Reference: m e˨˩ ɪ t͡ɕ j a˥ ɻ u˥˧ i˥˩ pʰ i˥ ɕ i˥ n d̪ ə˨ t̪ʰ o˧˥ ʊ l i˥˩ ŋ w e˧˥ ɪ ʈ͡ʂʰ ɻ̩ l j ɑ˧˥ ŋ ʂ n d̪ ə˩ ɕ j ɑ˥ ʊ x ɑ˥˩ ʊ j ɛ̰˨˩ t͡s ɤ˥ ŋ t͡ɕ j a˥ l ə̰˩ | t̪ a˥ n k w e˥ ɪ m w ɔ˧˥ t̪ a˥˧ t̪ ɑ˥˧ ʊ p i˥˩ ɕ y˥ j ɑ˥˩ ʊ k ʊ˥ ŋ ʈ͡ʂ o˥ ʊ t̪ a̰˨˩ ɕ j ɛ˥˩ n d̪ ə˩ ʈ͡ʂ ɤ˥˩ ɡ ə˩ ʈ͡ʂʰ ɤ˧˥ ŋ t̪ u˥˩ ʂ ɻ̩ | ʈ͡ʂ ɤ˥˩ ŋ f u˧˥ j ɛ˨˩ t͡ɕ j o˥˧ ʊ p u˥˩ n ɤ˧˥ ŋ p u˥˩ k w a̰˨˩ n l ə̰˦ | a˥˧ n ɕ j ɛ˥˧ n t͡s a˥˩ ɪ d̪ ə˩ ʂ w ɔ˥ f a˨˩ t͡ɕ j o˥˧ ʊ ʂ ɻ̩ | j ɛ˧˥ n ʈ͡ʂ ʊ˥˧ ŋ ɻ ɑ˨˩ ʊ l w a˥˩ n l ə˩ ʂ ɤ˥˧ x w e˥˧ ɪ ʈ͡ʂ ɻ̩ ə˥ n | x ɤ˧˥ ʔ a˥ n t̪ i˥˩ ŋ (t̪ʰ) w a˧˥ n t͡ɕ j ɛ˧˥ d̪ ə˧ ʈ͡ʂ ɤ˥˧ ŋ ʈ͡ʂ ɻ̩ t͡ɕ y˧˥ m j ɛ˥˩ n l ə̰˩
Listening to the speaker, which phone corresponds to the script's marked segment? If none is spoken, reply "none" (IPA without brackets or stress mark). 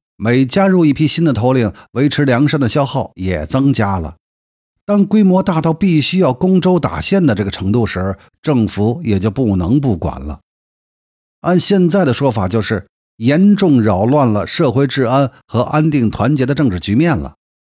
t̪ʰ